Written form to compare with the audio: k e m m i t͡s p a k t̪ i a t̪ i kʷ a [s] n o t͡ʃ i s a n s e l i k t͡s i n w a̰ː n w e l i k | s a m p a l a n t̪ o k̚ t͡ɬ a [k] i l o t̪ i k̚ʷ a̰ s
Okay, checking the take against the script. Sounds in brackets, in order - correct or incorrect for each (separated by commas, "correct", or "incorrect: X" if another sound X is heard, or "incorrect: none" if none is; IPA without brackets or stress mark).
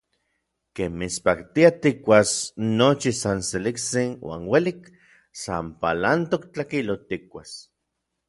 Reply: correct, correct